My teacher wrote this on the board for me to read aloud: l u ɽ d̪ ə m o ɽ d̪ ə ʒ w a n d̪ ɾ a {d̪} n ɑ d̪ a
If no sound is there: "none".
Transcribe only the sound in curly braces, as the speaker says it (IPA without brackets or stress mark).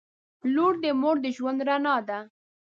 none